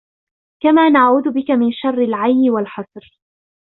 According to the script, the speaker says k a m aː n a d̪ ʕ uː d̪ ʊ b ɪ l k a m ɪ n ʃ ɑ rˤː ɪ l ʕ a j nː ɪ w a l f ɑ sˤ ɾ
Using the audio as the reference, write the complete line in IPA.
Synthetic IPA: k a m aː n a ʕ uː d̪ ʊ b ɪ k a m ɪ n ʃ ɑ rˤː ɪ l ʕ a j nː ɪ w a l ħ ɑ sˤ ɾ